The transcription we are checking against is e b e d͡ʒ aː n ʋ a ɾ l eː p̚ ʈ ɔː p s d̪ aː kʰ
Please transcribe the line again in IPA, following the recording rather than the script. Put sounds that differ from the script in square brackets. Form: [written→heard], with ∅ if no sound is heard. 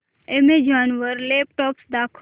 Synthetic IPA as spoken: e [b→m] e d͡ʒ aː n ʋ [a→ə] ɾ l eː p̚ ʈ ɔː p s d̪ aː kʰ